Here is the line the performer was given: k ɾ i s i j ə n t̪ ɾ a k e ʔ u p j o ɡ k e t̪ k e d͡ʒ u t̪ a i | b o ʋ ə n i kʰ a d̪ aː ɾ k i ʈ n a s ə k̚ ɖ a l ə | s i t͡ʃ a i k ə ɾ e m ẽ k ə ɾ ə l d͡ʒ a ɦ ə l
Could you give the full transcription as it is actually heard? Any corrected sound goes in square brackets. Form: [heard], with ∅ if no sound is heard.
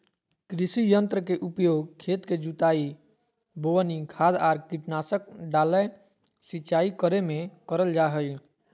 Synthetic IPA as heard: k ɾ i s i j ə n t̪ ɾ [ə] k e ʔ u p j o ɡ [kʰ] e t̪ k e d͡ʒ u t̪ a i | b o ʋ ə n i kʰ a d̪ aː ɾ k i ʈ n a s ə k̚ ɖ a l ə | s i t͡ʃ a i k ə ɾ e m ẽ k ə ɾ ə l d͡ʒ a ɦ ə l